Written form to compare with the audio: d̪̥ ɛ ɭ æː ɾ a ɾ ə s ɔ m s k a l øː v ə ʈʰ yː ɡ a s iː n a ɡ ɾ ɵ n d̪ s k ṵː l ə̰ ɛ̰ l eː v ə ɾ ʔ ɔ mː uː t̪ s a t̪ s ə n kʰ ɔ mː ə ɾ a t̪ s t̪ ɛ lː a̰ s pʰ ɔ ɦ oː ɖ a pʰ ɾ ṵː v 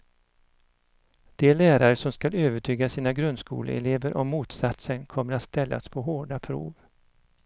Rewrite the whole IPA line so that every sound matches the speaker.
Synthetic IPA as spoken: d̪̥ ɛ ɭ æː ɾ a ɾ ə s ɔ m s k a l øː v ə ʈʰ yː ɡ a s iː n a ɡ ɾ ɵ n d̪ s k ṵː l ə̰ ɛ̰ l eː v ə ɾ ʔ ɔ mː uː t̪ s a t̪ s ə n kʰ ɔ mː ə ɾ a t̪ s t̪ ɛ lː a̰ s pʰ ɔ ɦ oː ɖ a pʰ ɾ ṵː v